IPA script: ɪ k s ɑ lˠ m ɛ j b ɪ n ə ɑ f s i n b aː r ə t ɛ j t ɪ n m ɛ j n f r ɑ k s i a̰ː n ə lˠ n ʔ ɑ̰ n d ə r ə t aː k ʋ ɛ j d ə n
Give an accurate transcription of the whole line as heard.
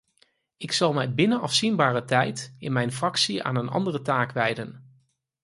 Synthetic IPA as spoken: ɪ k s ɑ lˠ m ɛ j b ɪ n ə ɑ f s i n b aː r ə t ɛ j t ɪ n m ɛ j n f r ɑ k s i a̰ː n ə n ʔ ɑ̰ n d ə r ə t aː k ʋ ɛ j d ə n